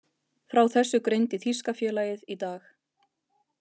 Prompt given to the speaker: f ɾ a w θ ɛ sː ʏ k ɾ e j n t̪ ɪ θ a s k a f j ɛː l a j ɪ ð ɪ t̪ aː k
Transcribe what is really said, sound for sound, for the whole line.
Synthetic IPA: f ɾ a w θ ɛ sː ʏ k ɾ e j n t̪ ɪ θ i s k a f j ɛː l a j ɪ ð i t̪ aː x